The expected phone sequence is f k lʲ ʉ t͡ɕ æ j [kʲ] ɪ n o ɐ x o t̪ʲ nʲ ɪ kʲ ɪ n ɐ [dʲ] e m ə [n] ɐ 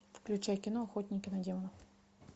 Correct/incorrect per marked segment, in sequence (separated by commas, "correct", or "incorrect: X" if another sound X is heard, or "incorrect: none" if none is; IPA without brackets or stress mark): correct, correct, correct